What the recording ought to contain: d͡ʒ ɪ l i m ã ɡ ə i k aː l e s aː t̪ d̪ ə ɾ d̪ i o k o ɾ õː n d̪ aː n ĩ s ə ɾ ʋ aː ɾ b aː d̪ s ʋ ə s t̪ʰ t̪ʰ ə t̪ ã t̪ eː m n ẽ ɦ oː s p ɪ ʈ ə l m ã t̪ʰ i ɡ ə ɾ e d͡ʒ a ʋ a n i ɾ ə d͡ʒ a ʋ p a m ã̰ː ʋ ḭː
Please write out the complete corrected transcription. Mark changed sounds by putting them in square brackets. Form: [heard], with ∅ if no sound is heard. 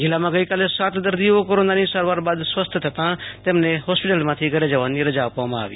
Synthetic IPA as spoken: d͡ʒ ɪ l [a] m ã ɡ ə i k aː l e s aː t̪ d̪ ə ɾ d̪ i o k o ɾ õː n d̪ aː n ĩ s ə ɾ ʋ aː ɾ b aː d̪ s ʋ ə s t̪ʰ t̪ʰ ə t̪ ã t̪ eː m n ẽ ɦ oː s p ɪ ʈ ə l m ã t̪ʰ i ɡ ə ɾ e d͡ʒ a ʋ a n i ɾ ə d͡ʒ a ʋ p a m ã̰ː ʋ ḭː